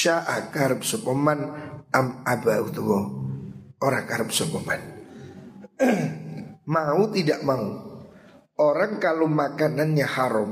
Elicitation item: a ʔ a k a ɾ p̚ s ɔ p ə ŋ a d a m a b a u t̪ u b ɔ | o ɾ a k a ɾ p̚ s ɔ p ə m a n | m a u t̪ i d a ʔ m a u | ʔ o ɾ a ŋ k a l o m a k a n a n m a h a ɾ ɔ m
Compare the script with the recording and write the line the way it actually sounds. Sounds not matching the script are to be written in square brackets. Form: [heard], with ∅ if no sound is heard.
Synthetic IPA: a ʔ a k a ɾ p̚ s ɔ p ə [m] a [n] a m a b a u t̪ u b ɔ | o ɾ a k a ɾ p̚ s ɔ p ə m a n | m a u t̪ i d a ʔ m a u | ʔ o ɾ a ŋ k a l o m a k a n a n [ɲ] a h a ɾ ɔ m